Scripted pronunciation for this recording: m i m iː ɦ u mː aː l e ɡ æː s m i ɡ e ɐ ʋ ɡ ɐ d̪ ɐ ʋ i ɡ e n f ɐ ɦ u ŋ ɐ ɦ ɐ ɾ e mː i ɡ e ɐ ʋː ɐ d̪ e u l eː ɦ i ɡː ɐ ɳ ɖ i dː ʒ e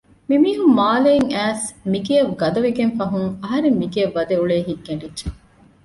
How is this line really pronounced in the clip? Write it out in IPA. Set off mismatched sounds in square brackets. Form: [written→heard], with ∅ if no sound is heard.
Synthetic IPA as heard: m i m iː ɦ u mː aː l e [ɡ→ŋ] æː s m i ɡ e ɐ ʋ ɡ ɐ d̪ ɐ ʋ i ɡ e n f ɐ ɦ u ŋ ɐ ɦ ɐ ɾ e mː i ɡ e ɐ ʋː ɐ d̪ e u [l→ɭ] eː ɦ i ɡː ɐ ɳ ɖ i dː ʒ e